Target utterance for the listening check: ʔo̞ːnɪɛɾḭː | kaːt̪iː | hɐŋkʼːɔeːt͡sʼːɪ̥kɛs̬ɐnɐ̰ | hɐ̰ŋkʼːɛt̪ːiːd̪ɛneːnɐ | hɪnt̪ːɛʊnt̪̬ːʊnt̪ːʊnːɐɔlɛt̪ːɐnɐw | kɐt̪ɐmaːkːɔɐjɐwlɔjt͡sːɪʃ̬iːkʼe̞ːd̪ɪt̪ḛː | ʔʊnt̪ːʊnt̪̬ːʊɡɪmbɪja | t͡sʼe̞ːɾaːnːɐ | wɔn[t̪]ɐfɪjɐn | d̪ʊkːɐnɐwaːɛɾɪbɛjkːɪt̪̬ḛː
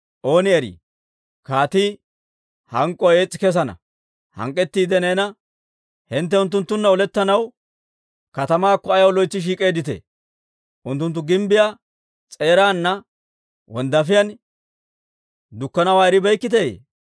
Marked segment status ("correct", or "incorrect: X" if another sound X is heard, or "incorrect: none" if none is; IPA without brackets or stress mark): incorrect: d̪